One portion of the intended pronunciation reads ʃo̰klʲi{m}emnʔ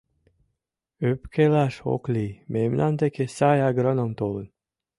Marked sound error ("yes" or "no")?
no